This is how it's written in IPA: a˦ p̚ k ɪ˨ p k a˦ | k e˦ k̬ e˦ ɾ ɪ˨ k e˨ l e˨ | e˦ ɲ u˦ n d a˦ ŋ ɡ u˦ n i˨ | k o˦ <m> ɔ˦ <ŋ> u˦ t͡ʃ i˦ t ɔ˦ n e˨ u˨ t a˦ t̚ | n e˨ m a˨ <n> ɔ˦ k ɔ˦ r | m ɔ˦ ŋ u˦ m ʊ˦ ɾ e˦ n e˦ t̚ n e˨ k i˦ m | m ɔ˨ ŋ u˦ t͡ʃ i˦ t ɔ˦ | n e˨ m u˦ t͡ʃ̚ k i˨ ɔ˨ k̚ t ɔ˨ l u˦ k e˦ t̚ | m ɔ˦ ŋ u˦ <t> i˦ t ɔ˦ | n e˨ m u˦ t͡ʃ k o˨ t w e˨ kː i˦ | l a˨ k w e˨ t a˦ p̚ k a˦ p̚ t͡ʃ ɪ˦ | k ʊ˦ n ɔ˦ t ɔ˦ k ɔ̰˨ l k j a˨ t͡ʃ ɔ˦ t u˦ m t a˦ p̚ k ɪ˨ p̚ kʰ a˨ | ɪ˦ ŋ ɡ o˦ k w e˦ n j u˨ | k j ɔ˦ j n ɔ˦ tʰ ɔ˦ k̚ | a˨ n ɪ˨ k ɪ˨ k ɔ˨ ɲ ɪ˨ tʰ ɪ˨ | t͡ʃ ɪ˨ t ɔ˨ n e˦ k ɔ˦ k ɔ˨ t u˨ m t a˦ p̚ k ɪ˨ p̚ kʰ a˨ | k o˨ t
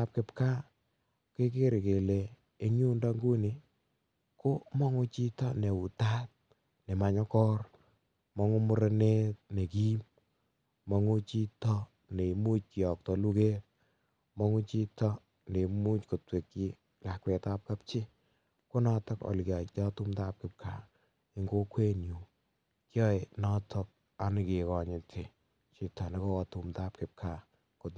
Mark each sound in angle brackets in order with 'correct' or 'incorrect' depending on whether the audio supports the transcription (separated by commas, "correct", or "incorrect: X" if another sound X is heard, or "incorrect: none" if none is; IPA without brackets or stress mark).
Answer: correct, correct, incorrect: ɲ, incorrect: t͡ʃ